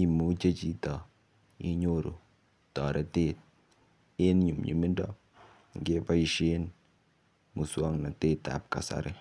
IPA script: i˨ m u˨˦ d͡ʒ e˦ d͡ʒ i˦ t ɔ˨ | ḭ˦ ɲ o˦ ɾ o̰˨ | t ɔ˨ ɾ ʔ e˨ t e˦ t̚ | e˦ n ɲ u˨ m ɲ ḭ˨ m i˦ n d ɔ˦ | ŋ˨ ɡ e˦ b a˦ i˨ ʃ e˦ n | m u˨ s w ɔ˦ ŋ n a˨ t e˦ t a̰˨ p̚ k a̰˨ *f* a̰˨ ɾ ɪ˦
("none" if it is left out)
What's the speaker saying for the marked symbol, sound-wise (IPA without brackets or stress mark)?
s